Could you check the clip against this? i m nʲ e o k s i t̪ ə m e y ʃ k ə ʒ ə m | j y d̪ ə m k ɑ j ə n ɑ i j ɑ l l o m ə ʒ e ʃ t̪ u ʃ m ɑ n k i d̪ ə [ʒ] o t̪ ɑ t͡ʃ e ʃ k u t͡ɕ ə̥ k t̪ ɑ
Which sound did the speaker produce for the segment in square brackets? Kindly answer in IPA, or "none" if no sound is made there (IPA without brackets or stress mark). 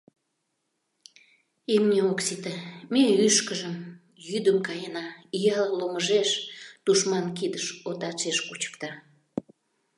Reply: ʃ